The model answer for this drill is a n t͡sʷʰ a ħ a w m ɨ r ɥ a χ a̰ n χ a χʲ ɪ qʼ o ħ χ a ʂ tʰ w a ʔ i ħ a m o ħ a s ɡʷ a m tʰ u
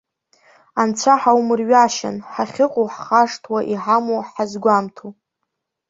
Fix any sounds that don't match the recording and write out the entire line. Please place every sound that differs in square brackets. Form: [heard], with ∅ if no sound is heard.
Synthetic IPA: a n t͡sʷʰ a ħ a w m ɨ r ɥ a [ʃ] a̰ n [ħ] a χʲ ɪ qʼ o ħ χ a ʂ tʰ w a ʔ i ħ a m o ħ a [z] ɡʷ a m tʰ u